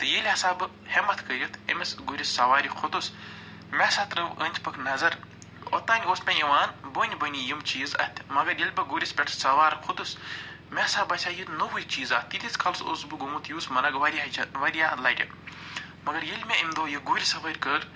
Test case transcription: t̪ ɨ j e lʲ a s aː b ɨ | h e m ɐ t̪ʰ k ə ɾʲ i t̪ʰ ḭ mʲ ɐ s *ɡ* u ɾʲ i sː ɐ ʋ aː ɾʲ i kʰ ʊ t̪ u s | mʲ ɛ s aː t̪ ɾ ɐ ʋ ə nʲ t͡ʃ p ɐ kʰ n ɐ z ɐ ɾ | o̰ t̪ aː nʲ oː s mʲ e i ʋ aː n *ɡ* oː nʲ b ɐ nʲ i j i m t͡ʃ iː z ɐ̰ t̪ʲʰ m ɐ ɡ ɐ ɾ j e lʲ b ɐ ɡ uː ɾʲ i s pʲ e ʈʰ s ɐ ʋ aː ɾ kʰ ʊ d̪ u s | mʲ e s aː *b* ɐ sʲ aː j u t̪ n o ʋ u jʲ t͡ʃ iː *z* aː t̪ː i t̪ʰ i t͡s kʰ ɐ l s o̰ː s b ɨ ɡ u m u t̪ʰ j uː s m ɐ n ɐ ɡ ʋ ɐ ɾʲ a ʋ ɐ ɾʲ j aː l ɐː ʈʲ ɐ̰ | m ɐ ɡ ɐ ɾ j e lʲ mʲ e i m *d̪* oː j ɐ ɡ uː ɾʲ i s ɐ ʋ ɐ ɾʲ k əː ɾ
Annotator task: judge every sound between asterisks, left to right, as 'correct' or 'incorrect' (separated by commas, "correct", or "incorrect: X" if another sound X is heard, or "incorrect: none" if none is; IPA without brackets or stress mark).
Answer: correct, incorrect: b, correct, correct, correct